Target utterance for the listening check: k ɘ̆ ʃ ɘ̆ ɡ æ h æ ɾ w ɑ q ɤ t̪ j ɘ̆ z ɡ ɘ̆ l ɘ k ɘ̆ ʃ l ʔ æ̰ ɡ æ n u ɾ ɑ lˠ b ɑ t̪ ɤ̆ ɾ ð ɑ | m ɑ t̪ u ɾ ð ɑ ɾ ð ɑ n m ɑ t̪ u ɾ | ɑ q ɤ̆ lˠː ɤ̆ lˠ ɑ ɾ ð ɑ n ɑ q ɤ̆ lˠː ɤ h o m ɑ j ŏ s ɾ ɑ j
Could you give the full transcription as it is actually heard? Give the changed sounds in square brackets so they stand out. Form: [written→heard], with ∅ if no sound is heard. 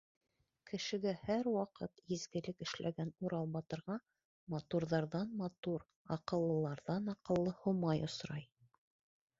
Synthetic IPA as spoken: k ɘ̆ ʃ ɘ̆ ɡ æ h æ ɾ w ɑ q ɤ t̪ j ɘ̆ z ɡ ɘ̆ l ɘ k ɘ̆ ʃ l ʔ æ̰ ɡ æ n u ɾ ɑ lˠ b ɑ t̪ ɤ̆ ɾ [ð→ʁ] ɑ | m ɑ t̪ u ɾ ð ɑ ɾ ð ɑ n m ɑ t̪ u ɾ | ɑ q ɤ̆ lˠː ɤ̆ lˠ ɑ ɾ ð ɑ n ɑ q ɤ̆ lˠː ɤ h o m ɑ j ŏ s ɾ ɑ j